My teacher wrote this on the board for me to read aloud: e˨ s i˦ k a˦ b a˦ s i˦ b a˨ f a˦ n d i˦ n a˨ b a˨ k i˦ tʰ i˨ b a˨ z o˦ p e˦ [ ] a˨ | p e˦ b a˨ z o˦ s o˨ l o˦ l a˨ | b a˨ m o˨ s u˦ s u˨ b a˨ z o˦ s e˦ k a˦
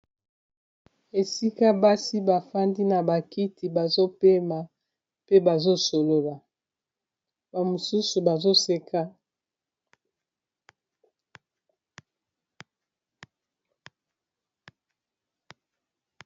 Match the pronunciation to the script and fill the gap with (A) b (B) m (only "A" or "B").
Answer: B